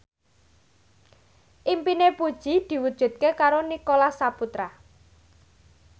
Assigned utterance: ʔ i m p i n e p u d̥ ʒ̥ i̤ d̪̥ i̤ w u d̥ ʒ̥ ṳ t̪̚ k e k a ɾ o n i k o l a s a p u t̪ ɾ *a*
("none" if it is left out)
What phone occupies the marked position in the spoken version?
a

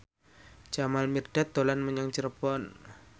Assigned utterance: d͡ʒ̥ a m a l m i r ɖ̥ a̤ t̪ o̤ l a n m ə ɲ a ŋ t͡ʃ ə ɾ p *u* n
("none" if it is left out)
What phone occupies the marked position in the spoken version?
ɔ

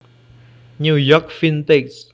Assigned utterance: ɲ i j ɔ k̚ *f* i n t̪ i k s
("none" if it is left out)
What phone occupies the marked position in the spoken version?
f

